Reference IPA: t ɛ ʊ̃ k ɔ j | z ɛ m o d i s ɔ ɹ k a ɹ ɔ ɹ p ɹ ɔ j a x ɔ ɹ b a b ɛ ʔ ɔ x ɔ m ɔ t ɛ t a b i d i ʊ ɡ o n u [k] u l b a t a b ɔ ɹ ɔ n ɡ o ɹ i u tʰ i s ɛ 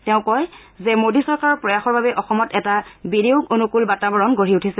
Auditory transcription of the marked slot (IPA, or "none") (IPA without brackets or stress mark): k